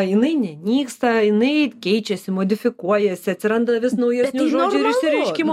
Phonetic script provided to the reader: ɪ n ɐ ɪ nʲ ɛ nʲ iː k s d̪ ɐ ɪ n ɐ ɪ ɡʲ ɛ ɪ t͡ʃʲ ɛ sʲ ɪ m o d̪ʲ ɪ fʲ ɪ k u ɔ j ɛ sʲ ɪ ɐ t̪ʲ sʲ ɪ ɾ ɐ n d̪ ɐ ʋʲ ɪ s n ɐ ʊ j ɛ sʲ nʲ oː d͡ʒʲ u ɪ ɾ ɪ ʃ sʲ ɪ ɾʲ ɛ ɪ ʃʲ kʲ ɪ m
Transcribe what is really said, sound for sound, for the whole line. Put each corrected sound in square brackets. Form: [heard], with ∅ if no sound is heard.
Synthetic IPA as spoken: ɪ n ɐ ɪ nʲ ɛ nʲ iː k s [t̪] ɐ ɪ n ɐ ɪ [kʲ] ɛ ɪ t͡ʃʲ ɛ sʲ ɪ m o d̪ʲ ɪ fʲ ɪ k u ɔ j ɛ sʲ ɪ ɐ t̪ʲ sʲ ɪ ɾ ɐ n d̪ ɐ ʋʲ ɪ s n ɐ ʊ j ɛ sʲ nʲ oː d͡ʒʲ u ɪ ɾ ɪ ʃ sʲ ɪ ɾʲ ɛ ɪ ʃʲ kʲ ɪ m